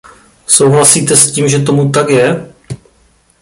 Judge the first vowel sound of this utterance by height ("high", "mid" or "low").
mid